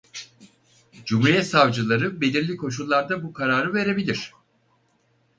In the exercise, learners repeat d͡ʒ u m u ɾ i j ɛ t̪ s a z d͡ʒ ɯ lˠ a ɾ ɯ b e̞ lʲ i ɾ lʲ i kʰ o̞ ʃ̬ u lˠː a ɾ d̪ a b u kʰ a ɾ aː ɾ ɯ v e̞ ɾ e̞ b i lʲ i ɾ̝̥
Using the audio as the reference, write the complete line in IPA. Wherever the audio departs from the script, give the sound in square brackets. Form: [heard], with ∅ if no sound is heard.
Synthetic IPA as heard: d͡ʒ u m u ɾ i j ɛ t̪ s a [v] d͡ʒ ɯ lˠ a ɾ ɯ b e̞ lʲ i ɾ lʲ i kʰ o̞ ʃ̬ u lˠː a ɾ d̪ a b u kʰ a ɾ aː ɾ ɯ v e̞ ɾ e̞ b i lʲ i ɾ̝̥